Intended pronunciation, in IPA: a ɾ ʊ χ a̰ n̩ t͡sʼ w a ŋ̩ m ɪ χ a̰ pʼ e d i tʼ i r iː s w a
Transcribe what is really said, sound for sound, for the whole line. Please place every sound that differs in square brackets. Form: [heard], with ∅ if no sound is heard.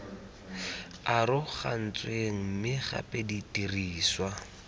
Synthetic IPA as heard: a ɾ ʊ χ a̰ n̩ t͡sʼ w [e] ŋ̩ m ɪ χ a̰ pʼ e d i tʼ i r iː s w a